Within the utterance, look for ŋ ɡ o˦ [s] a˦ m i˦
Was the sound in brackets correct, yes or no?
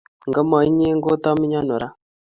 no